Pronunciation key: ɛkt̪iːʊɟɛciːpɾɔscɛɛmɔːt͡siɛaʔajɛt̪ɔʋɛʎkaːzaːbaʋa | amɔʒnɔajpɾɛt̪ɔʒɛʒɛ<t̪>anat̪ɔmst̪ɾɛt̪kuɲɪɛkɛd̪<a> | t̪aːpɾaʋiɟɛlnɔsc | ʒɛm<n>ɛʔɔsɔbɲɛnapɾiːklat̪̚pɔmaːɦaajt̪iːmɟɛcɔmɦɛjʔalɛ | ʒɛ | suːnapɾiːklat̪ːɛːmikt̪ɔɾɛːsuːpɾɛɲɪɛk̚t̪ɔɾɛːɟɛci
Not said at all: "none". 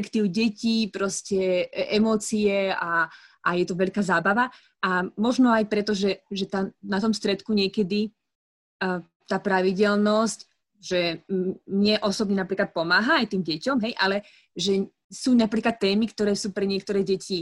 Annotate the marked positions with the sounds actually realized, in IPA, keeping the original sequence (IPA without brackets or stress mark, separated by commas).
t̪, i, ɲ